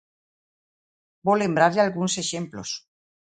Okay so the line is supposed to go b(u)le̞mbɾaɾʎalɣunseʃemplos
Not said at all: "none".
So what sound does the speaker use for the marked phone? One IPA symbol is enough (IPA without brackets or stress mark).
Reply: o